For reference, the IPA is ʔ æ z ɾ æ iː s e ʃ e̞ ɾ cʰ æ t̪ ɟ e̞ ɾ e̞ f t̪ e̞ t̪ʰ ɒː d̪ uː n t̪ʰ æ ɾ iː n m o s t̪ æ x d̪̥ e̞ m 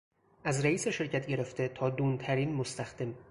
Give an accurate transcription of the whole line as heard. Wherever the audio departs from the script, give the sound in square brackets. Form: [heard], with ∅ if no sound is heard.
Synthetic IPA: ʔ æ z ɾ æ iː s e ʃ e̞ ɾ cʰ æ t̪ ɟ e̞ ɾ e̞ f t̪ e̞ t̪ʰ ɒː d̪ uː n t̪ʰ æ ɾ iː n m o s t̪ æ x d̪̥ e̞ m